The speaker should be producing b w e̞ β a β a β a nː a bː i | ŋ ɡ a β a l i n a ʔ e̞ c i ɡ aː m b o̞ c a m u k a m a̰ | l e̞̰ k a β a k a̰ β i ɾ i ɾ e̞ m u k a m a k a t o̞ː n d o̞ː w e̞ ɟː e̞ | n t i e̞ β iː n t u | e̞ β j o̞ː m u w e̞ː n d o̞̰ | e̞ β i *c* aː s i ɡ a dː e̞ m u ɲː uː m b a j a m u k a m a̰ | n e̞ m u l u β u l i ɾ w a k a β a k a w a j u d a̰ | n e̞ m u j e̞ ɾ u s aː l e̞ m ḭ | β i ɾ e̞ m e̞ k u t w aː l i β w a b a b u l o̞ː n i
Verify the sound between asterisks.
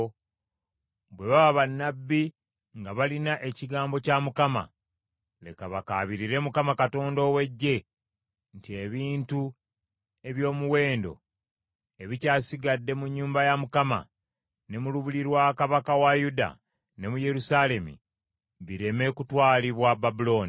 correct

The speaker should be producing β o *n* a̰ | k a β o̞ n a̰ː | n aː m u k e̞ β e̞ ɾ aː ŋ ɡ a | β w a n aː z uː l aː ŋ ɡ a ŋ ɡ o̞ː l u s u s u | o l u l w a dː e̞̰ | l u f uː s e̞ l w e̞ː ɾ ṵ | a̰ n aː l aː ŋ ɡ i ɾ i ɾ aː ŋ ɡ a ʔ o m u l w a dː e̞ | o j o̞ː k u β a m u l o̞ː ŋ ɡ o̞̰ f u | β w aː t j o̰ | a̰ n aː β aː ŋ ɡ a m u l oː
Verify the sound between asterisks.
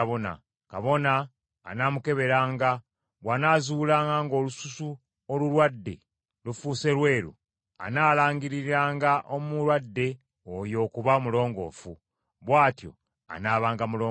correct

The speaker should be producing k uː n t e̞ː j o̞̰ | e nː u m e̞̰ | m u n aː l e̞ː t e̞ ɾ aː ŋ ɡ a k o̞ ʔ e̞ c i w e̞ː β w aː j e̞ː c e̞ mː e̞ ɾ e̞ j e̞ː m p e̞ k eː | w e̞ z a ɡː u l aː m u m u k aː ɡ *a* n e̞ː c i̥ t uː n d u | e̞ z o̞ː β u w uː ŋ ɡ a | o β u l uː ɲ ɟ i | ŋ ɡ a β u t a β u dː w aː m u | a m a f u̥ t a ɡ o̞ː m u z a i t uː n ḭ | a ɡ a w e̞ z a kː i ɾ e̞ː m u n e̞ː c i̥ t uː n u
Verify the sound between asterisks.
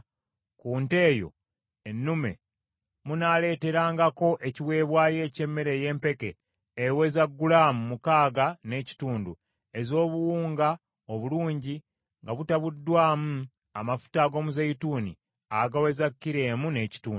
correct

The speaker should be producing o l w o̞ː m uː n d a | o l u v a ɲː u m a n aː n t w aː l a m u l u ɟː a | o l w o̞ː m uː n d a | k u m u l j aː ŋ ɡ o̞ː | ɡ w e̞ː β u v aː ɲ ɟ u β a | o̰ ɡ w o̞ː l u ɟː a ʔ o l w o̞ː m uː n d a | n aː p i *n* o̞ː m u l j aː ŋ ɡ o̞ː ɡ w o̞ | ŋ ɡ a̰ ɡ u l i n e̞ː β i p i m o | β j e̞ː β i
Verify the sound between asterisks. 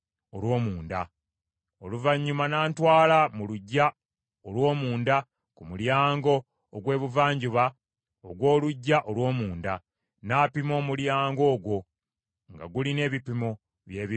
incorrect: m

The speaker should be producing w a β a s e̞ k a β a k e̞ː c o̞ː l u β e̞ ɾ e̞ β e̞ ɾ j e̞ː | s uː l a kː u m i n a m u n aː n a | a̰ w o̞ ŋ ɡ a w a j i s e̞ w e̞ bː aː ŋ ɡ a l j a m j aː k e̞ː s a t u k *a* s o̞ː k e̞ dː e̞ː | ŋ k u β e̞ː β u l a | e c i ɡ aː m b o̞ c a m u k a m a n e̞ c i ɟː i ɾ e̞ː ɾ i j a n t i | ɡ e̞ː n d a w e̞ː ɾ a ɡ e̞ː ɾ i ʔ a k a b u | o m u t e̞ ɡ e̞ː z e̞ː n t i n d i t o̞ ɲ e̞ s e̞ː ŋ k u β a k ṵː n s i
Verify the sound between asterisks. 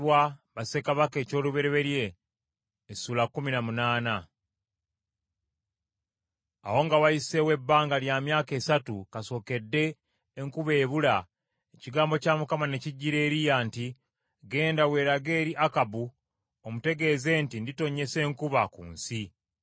correct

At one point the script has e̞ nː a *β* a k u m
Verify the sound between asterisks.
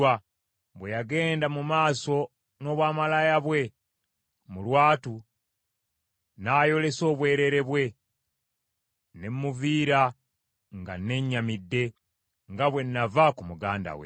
incorrect: v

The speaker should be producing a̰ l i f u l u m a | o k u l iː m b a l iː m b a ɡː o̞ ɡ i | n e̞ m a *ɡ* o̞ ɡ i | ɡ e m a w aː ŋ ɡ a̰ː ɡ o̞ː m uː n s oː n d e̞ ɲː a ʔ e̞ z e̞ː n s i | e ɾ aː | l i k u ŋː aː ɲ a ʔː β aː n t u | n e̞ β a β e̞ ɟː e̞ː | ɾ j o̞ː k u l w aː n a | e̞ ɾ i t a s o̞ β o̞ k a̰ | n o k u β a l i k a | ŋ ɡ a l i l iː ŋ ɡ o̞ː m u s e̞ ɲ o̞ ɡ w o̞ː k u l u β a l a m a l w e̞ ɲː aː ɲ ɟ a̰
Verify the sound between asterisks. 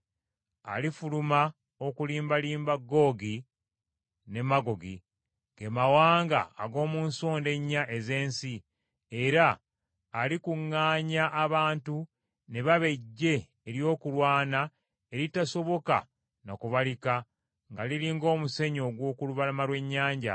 correct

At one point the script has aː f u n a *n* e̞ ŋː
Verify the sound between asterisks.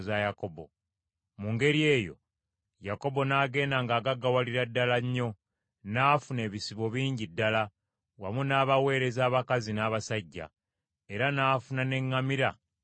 correct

